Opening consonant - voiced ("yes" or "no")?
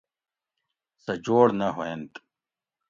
no